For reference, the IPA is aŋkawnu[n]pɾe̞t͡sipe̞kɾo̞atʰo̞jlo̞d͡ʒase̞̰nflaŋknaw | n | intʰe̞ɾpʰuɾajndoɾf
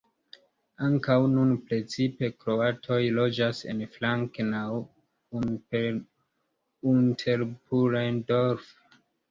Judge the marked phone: correct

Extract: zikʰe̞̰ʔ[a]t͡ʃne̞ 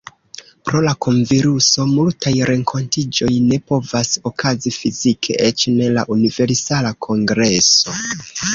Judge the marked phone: incorrect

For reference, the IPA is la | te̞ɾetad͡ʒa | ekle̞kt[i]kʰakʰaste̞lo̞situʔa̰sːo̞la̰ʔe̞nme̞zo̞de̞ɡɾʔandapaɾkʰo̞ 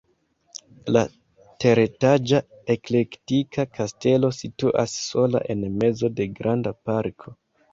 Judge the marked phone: correct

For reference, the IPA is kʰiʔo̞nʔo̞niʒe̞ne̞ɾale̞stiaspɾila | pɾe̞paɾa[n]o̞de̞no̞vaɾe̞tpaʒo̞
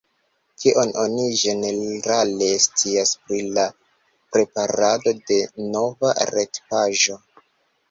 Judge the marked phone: incorrect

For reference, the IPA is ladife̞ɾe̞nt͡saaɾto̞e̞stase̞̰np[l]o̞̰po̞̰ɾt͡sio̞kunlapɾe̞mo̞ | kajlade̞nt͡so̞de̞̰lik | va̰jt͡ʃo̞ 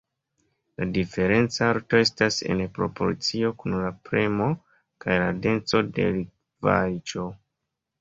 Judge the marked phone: incorrect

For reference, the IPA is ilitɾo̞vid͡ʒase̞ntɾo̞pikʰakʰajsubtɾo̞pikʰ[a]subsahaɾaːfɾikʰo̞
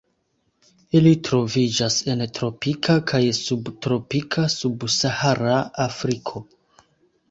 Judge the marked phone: correct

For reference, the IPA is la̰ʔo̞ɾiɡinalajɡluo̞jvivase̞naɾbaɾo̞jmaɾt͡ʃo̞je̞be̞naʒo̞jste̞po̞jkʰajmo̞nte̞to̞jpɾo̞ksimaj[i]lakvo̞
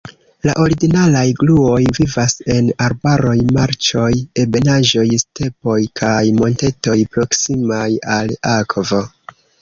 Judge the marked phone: incorrect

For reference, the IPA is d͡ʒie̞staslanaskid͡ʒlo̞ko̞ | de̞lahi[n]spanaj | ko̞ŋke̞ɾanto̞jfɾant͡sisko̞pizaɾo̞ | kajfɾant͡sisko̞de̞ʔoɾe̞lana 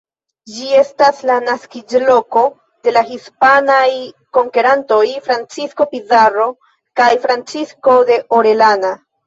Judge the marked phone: incorrect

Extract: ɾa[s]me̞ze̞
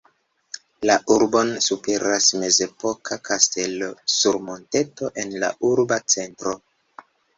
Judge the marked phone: correct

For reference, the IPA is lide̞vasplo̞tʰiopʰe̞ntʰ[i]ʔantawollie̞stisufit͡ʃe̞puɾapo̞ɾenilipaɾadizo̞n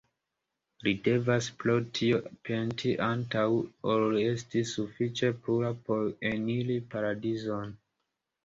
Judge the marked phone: correct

